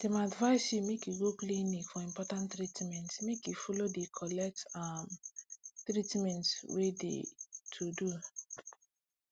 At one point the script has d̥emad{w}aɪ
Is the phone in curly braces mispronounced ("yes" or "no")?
yes